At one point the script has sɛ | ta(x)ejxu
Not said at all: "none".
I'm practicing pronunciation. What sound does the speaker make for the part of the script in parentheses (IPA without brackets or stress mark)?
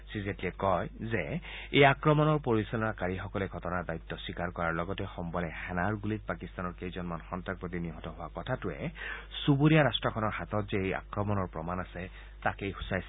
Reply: k